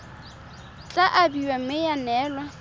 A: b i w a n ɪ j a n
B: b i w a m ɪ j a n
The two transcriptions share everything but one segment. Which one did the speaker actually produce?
B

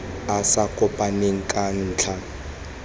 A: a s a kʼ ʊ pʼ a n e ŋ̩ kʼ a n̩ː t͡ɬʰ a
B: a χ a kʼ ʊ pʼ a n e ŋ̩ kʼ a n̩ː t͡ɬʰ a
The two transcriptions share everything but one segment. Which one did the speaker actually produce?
A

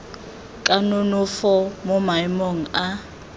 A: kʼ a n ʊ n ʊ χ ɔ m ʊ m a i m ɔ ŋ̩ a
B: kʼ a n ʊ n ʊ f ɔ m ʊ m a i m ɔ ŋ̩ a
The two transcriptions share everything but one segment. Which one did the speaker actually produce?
B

